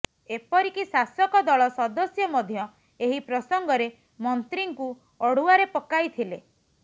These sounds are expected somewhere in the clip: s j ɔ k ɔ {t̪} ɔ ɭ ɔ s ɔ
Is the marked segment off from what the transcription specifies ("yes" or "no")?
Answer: yes